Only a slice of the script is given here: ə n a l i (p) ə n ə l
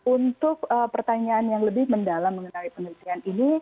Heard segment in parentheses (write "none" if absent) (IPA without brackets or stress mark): p